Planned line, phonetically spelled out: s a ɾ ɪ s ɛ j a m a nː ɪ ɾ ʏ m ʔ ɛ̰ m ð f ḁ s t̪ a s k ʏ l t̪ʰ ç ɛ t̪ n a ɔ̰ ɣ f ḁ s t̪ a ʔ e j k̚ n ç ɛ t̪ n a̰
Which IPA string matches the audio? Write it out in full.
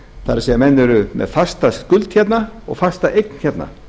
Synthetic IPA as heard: θ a ɾ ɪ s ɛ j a m ɛ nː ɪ ɾ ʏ m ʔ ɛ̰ ð f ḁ s t̪ a s k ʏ l t̪ ç ɛ t̪ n a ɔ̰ ɣ f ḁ s t̪ a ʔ e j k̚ n ç ɛ t̪ n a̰